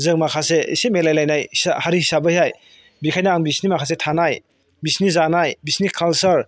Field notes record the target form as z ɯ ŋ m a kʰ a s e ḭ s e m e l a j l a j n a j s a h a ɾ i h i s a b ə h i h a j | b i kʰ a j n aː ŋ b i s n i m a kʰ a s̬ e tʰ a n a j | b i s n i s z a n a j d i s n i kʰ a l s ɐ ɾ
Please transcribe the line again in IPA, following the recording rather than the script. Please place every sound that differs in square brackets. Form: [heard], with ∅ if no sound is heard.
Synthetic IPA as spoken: z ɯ ŋ m a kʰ a s e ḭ s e m e l a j l a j n a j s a h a ɾ i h i s a b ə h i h a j | b i kʰ a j n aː ŋ b i s n i m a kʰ a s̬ e tʰ a n a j | b i s n i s z a n a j [b] i s n i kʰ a l s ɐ ɾ